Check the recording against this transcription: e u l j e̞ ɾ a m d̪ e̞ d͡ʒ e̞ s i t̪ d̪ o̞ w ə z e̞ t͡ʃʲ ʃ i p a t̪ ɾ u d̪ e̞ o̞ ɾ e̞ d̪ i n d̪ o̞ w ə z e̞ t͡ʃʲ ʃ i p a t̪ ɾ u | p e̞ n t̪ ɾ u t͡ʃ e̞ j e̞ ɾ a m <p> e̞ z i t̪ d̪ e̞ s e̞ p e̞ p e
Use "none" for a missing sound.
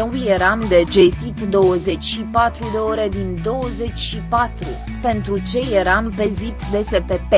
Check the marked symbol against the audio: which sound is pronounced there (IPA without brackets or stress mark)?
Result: p